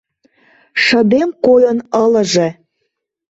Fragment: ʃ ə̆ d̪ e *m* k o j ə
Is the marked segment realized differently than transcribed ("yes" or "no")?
no